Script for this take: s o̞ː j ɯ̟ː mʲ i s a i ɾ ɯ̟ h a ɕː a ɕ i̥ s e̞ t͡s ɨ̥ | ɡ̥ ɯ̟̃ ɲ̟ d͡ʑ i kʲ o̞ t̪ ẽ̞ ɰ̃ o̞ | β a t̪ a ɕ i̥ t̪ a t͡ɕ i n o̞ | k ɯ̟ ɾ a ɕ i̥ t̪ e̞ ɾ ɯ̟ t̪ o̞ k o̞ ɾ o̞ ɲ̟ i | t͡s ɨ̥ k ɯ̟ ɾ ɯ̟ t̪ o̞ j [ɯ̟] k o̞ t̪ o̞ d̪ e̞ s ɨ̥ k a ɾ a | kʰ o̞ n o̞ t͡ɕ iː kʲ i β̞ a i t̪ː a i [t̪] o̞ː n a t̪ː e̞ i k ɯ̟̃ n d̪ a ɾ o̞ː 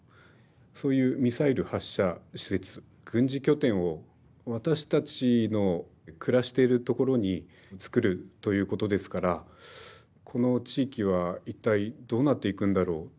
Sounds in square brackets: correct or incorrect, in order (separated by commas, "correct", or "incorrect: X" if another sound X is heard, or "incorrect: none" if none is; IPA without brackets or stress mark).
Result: incorrect: ɯ̟ː, incorrect: d̪